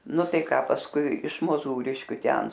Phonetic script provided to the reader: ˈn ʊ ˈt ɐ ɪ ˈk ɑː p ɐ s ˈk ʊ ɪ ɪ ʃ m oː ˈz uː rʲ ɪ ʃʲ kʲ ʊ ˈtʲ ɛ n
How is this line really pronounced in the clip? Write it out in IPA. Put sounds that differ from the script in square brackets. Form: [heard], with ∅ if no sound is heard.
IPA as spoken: ˈn ʊ ˈt ɐ ɪ ˈk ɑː p ɐ s ˈk ʊ ɪ ɪ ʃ m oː ˈz uː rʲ ɪ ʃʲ kʲ ʊ ˈtʲ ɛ n